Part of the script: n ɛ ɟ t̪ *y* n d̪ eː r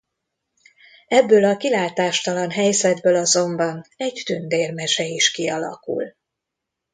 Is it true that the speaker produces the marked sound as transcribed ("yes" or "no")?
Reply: yes